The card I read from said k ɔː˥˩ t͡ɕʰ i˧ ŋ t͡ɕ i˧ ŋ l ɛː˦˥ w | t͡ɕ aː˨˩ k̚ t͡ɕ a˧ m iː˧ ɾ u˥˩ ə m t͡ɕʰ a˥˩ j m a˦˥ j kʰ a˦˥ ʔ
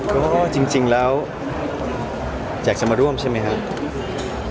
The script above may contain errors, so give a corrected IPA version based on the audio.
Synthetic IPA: k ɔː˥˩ t͡ɕ i˧ ŋ t͡ɕ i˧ ŋ l ɛː˦˥ w | t͡ɕ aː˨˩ k̚ t͡ɕ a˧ m aː˧ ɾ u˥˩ ə m t͡ɕʰ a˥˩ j m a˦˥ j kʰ a˦˥ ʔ